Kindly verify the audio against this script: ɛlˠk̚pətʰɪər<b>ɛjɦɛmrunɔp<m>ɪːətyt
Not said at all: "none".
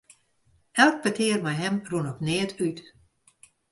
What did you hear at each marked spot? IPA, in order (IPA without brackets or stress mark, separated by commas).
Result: m, n